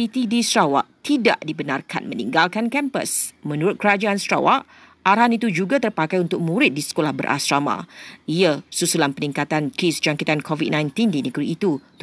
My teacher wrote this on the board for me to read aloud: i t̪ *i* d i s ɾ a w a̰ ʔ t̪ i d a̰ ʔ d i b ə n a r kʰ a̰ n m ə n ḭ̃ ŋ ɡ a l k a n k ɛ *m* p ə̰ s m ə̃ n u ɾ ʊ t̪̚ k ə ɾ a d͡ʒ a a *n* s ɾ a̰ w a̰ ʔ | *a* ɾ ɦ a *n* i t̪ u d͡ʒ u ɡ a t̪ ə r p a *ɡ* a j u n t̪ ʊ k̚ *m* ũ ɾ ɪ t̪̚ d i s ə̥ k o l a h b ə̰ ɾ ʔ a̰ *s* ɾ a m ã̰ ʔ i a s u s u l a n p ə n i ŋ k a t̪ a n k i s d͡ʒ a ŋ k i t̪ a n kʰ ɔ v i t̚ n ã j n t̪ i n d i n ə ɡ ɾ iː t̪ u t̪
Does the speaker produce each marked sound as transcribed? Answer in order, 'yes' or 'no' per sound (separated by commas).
yes, yes, yes, yes, yes, no, yes, yes